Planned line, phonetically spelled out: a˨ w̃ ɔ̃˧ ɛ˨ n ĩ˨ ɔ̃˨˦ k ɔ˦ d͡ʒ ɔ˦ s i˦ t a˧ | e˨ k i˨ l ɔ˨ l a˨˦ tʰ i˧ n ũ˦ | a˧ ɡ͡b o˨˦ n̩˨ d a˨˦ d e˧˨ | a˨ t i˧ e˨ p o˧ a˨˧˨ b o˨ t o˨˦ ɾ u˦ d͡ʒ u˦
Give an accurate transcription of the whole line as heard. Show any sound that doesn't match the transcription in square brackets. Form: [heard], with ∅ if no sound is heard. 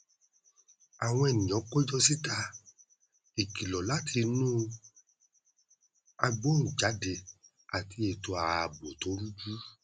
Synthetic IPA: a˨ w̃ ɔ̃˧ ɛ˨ n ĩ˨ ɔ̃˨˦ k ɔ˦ d͡ʒ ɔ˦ s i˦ t a˧ | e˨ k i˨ l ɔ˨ l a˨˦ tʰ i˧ n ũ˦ | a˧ ɡ͡b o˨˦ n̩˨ [d͡ʒ] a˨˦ d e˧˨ | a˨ t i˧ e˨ [t] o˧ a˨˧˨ b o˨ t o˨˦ ɾ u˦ d͡ʒ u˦